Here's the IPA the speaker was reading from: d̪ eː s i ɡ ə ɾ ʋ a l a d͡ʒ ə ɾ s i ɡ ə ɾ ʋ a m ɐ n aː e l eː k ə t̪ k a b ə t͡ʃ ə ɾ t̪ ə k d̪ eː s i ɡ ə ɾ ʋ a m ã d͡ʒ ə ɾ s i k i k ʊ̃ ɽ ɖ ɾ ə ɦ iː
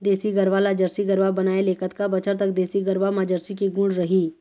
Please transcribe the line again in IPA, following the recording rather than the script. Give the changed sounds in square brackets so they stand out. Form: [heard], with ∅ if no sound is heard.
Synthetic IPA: d̪ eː s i ɡ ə ɾ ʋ a l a d͡ʒ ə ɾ s i ɡ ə ɾ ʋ a [b] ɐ n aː e l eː k ə t̪ k a b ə t͡ʃ ə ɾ t̪ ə k d̪ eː s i ɡ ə ɾ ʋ a m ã d͡ʒ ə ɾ s i k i [ɡ] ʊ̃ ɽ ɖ ɾ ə ɦ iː